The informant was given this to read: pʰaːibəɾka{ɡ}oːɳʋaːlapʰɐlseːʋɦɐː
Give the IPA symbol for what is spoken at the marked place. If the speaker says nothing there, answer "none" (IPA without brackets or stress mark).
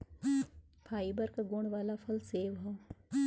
ɡ